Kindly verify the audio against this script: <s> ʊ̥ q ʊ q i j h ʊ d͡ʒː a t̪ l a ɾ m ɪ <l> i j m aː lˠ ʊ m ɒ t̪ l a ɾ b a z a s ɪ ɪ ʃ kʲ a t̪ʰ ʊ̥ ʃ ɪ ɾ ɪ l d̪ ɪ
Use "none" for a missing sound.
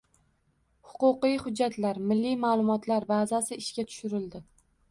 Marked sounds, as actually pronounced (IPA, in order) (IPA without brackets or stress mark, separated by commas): h, lː